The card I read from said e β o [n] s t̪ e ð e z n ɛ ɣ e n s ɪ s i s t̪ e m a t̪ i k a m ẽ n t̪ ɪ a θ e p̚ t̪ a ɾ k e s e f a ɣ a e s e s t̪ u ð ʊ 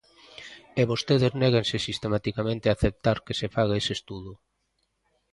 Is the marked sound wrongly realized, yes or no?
yes